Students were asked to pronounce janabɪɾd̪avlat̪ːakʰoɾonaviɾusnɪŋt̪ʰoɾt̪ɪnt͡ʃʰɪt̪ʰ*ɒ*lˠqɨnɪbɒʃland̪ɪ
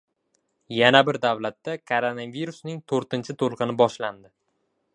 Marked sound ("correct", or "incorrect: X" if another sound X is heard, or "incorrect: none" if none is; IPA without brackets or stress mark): incorrect: o